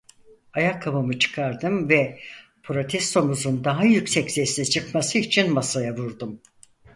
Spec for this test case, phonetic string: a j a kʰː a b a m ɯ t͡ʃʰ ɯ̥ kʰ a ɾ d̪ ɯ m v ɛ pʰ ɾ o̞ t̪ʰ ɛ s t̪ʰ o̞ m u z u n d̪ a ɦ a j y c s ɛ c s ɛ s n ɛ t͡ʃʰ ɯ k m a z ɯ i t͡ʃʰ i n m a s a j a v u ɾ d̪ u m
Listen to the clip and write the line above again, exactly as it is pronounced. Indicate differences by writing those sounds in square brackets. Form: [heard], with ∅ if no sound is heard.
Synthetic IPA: a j a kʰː a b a m ɯ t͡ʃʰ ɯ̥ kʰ a ɾ d̪ ɯ m v ɛ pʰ ɾ o̞ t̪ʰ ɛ s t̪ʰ o̞ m u z u n d̪ a ɦ a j y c s ɛ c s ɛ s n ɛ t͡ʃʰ ɯ k m a [s] ɯ i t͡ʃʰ i n m a s a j a v u ɾ d̪ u m